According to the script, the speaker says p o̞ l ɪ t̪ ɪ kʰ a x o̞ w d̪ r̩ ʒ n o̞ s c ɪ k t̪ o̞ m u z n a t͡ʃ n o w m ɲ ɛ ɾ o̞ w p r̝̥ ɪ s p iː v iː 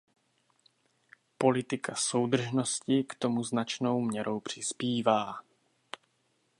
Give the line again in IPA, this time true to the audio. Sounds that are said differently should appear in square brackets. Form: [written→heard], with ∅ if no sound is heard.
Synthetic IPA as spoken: p o̞ l ɪ t̪ ɪ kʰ a [x→s] o̞ w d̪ r̩ ʒ n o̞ s c ɪ k t̪ o̞ m u z n a t͡ʃ n o w m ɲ ɛ ɾ o̞ w p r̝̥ ɪ s p iː v [iː→aː]

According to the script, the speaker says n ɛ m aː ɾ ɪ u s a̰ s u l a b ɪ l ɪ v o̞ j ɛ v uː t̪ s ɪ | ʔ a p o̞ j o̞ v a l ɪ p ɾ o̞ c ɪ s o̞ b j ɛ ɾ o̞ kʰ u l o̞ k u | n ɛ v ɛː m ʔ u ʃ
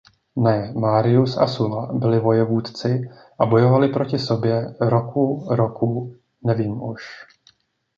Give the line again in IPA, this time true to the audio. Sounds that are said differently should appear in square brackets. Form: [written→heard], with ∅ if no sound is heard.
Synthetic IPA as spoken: n ɛ m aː ɾ ɪ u s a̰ s u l a b ɪ l ɪ v o̞ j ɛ v uː t̪ [s→t͡s] ɪ | ʔ a [p→b] o̞ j o̞ v a l ɪ p ɾ o̞ c ɪ s o̞ b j ɛ ɾ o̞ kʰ u [l→ɾ] o̞ k u | n ɛ v [ɛː→iː] m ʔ u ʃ

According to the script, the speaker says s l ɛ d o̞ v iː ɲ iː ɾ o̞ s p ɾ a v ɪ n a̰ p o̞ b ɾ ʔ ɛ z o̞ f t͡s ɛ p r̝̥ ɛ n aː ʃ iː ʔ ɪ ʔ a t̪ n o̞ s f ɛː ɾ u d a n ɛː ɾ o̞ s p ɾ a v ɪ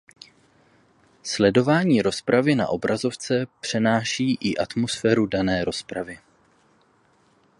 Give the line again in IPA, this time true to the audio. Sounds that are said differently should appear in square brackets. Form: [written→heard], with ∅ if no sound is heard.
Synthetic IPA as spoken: s l ɛ d o̞ v [iː→aː] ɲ iː ɾ o̞ s p ɾ a v ɪ n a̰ [p→ʔ] o̞ b ɾ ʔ [ɛ→a] z o̞ f t͡s ɛ p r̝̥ ɛ n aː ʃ iː ʔ ɪ ʔ a t̪ [n→m] o̞ s f ɛː ɾ u d a n ɛː ɾ o̞ s p ɾ a v ɪ

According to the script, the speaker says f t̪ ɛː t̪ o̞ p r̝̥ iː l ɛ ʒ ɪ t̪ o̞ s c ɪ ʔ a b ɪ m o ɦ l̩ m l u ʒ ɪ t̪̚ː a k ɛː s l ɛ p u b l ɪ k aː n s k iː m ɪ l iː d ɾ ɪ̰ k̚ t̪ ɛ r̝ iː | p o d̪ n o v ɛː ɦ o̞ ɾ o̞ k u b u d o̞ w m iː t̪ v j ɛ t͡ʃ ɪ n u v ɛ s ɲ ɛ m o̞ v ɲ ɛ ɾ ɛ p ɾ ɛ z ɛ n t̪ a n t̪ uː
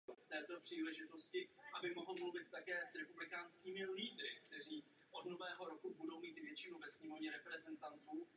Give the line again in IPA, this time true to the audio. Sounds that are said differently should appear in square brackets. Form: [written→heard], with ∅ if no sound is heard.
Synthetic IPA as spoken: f t̪ ɛː t̪ o̞ p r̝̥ iː l ɛ ʒ ɪ t̪ o̞ s c ɪ ʔ a b ɪ m o ɦ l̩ m l u [ʒ→v] ɪ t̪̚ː a k ɛː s [l→ɾ] ɛ p u b l ɪ k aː n s k iː m ɪ l iː d ɾ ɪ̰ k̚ t̪ ɛ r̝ iː | [p→ʔ] o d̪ n o v ɛː ɦ o̞ ɾ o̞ k u b u d o̞ w m iː t̪ v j ɛ t͡ʃ ɪ n u v ɛ s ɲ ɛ m o̞ v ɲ ɛ ɾ ɛ p ɾ ɛ z ɛ n t̪ a n t̪ uː

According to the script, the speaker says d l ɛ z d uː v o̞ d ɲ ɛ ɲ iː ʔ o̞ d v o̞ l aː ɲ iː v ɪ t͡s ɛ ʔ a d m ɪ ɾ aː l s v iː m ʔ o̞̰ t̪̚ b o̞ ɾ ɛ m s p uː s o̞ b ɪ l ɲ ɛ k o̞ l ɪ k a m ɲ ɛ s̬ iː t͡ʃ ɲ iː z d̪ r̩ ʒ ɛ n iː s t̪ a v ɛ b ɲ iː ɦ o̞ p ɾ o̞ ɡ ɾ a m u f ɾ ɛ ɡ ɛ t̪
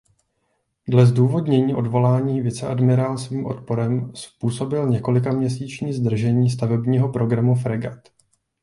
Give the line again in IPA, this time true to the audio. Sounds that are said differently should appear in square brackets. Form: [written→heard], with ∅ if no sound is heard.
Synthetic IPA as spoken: d l ɛ z d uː v o̞ d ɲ ɛ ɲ iː ʔ o̞ d v o̞ l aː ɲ iː v ɪ t͡s ɛ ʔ a d m ɪ ɾ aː l s v iː m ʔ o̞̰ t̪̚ [b→p] o̞ ɾ ɛ m s p uː s o̞ b ɪ l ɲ ɛ k o̞ l ɪ k a m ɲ ɛ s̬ iː t͡ʃ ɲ iː z d̪ r̩ ʒ ɛ [n→ɲ] iː s t̪ a v ɛ b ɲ iː ɦ o̞ p ɾ o̞ ɡ ɾ a m u f ɾ ɛ ɡ [ɛ→a] t̪

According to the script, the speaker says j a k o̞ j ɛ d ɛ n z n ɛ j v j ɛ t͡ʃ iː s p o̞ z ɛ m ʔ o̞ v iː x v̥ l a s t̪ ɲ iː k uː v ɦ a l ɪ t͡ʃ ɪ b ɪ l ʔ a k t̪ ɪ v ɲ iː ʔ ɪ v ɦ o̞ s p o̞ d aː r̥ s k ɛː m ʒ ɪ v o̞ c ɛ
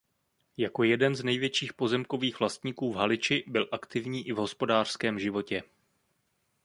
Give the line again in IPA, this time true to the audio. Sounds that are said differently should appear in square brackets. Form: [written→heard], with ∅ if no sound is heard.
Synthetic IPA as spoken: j a k o̞ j ɛ d ɛ n z n ɛ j v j ɛ t͡ʃ iː [s→x] p o̞ z ɛ m [ʔ→k] o̞ v iː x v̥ l a s t̪ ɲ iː k uː v ɦ a l ɪ t͡ʃ ɪ b ɪ l ʔ a k t̪ ɪ v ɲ iː ʔ ɪ v ɦ o̞ s p o̞ d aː r̥ s k ɛː m ʒ ɪ v o̞ c ɛ

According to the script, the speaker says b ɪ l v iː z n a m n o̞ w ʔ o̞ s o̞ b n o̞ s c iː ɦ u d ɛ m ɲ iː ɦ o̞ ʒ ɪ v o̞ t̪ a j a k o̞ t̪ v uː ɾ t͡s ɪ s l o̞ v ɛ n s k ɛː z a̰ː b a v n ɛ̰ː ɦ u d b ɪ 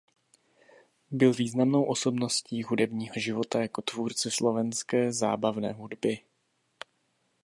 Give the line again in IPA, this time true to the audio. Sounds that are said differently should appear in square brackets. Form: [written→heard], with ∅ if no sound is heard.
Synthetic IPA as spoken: b ɪ l v iː z n a m n o̞ w ʔ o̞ s o̞ b n o̞ s c iː ɦ u d ɛ [m→b] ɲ iː ɦ o̞ ʒ ɪ v o̞ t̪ a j a k o̞ t̪ v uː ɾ t͡s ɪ s l o̞ v ɛ n s k ɛː z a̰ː b a v n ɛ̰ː ɦ u d b ɪ

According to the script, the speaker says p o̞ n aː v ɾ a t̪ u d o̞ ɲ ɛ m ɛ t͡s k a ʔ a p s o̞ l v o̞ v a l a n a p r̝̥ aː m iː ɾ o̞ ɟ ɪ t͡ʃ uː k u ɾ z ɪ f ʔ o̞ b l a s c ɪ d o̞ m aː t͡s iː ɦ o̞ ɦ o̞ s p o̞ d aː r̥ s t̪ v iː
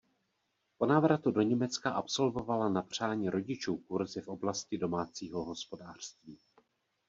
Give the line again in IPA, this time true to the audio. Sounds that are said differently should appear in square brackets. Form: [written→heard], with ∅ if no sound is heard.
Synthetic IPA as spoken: p o̞ n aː v ɾ a t̪ u d o̞ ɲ ɛ m ɛ t͡s k a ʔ a p s o̞ l v o̞ v a l a n a p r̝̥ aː [m→ɲ] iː ɾ o̞ ɟ ɪ t͡ʃ uː k u ɾ z ɪ f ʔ o̞ b l a s c ɪ d o̞ m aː t͡s iː ɦ o̞ ɦ o̞ s p o̞ d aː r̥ s t̪ v iː

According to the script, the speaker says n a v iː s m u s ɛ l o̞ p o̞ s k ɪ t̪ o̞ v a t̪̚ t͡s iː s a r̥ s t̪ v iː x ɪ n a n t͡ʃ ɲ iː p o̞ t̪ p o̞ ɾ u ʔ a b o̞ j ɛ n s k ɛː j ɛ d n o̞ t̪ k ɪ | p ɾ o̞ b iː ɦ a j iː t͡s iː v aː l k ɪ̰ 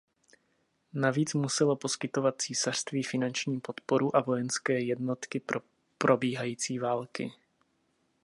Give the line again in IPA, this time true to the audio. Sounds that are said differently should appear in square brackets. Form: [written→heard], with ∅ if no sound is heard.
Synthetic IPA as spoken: n a v iː [s→t͡s] m u s ɛ l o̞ p o̞ s k ɪ t̪ o̞ v a t̪̚ t͡s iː s a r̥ s t̪ v iː [x→f] ɪ n a n t͡ʃ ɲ iː p o̞ t̪ p o̞ ɾ u ʔ a [b→v] o̞ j ɛ n s k ɛː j ɛ d n o̞ t̪ k ɪ | p ɾ o̞ b iː ɦ a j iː t͡s iː v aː l k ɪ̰

